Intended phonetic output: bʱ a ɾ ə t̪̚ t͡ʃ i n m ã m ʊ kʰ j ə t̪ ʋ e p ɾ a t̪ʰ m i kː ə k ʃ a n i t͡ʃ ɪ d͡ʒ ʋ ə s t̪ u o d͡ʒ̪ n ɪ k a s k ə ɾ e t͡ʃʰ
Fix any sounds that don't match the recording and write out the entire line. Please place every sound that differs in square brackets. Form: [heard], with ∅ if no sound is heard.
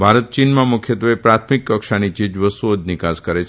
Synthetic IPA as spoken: bʱ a ɾ ə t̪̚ t͡ʃ i n m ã m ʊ kʰ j ə t̪ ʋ e p ɾ a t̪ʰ m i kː ə k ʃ a n i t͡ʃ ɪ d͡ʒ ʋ ə s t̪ u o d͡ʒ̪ n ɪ k a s k ə ɾ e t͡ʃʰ